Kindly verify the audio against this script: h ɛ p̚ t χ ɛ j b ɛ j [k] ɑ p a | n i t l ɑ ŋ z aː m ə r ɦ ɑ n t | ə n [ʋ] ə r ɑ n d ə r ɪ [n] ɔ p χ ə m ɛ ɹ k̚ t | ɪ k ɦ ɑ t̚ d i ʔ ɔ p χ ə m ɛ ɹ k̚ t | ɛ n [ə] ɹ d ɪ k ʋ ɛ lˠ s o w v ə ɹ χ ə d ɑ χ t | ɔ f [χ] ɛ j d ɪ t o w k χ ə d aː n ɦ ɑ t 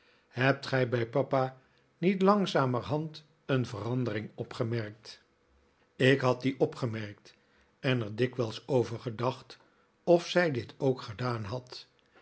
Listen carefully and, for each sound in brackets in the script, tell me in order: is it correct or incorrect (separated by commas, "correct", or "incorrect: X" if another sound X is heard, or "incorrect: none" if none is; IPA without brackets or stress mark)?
incorrect: p, incorrect: v, incorrect: ŋ, correct, incorrect: s